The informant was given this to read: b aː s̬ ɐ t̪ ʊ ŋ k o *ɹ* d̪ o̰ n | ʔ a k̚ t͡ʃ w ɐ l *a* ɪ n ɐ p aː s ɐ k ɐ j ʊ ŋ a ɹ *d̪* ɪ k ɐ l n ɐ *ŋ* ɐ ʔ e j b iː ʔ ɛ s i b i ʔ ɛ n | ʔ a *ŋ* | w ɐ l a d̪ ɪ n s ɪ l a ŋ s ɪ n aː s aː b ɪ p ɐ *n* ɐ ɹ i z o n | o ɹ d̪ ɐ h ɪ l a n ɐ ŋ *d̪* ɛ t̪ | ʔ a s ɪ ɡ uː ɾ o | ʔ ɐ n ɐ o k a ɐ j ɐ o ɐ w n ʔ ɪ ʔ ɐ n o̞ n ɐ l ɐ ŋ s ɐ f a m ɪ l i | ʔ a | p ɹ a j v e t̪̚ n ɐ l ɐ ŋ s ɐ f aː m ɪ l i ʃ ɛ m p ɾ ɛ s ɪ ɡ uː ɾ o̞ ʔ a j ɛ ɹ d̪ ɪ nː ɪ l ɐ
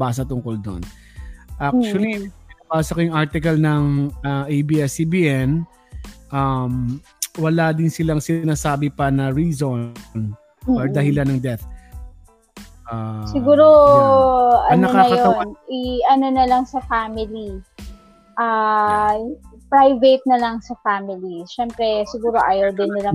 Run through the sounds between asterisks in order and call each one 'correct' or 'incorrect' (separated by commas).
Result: incorrect, incorrect, incorrect, correct, incorrect, correct, correct